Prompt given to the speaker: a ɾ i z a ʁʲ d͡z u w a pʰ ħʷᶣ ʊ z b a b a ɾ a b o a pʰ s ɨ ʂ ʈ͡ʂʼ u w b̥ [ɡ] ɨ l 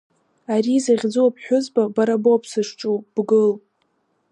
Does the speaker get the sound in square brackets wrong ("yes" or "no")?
no